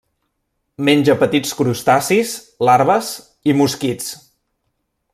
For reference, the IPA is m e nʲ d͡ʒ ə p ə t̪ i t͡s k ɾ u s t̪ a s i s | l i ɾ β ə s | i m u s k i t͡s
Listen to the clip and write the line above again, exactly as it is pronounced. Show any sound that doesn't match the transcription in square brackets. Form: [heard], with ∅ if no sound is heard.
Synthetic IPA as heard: m e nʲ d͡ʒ ə p ə t̪ i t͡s k ɾ u s t̪ a s i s | l [a] ɾ β ə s | i m u s k i t͡s